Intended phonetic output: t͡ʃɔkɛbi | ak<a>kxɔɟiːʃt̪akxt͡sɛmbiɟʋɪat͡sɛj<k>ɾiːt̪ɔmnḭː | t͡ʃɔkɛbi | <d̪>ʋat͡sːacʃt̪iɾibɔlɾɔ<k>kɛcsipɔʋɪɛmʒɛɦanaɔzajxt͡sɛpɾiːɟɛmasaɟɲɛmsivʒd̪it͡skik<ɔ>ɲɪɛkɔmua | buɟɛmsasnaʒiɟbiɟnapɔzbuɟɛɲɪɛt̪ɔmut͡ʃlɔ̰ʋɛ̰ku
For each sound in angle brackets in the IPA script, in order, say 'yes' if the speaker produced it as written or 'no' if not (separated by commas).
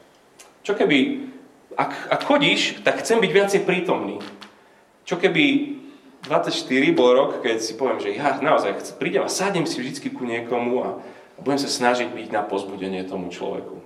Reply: yes, no, yes, yes, no